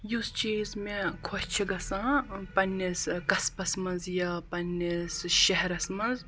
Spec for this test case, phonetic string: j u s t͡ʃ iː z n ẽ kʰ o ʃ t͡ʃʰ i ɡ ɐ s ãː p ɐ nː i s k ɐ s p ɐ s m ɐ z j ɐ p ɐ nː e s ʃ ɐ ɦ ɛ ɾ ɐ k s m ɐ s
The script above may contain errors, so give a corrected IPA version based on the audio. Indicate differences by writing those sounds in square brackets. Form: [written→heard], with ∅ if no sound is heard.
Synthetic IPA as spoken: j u s t͡ʃ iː z [n→m] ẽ kʰ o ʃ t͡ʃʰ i ɡ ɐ s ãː p ɐ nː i s k ɐ s p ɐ s m ɐ z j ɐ p ɐ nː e s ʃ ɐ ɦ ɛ ɾ ɐ [k→∅] s m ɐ [s→z]